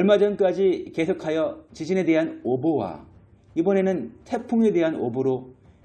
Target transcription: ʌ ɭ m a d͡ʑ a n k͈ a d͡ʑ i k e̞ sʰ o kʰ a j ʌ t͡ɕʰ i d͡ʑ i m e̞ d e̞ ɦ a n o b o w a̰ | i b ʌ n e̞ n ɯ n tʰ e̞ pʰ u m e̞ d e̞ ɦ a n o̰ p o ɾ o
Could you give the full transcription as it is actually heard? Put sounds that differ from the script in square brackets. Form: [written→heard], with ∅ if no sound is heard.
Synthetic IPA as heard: ʌ ɭ m a d͡ʑ [a→ʌ] n k͈ a d͡ʑ i k e̞ sʰ o kʰ a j ʌ [t͡ɕʰ→t͡ɕ] i d͡ʑ i [m→n] e̞ d e̞ ɦ a n o b o w a̰ | i b ʌ n e̞ n ɯ n tʰ e̞ pʰ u [m→ŋ] e̞ d e̞ ɦ a n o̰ [p→b] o ɾ o